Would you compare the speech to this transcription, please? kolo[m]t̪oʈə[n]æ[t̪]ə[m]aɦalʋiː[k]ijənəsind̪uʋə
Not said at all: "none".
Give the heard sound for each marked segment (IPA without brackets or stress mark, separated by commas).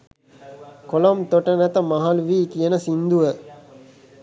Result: m, n, t̪, m, k